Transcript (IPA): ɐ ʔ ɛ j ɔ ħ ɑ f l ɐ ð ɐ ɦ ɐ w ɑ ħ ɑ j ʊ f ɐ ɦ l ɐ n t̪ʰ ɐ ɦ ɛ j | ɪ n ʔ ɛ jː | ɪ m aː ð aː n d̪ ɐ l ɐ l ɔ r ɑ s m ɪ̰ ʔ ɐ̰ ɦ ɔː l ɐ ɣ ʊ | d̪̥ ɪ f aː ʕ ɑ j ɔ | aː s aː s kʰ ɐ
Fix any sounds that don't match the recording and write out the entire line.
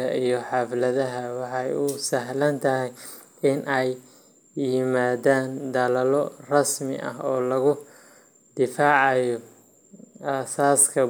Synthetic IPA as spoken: ɐ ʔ i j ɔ ħ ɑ f l ɐ ð ɐ ɦ ɐ w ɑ ħ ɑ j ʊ s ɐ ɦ l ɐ n t̪ʰ ɐ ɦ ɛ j | ɪ n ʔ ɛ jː | ɪ m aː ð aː n d̪ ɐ l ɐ l ɔ r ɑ s m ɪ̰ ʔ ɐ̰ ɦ ɔː l ɐ ɣ ʊ | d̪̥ ɪ f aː ʕ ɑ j ɔ | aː s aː s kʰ ɐ